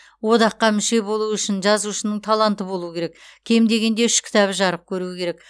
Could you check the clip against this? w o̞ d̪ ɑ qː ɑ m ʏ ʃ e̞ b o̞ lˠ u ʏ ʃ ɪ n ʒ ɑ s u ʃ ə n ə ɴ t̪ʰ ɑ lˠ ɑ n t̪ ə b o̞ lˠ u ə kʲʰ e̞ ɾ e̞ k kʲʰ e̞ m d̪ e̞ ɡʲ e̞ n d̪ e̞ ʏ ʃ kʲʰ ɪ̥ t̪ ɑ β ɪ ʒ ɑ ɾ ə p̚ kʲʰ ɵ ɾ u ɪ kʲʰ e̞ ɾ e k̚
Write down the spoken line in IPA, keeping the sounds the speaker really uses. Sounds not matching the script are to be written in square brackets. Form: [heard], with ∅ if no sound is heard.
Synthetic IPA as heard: w o̞ d̪ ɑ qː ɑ m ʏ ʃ e̞ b o̞ lˠ u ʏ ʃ ɪ n ʒ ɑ [z] u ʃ ə n ə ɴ t̪ʰ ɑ lˠ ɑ n t̪ ə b o̞ lˠ u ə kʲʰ e̞ ɾ e̞ k kʲʰ e̞ m d̪ e̞ ɡʲ e̞ n d̪ e̞ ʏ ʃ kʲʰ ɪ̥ t̪ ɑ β ɪ ʒ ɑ ɾ ə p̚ kʲʰ ɵ ɾ u ɪ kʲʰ e̞ ɾ e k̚